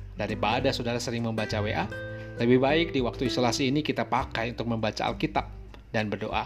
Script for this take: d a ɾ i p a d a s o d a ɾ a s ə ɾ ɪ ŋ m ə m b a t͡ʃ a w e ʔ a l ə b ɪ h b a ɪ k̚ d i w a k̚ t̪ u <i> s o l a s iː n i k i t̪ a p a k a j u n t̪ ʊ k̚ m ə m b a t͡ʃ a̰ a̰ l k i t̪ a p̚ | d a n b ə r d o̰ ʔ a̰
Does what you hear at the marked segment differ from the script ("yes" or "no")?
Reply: no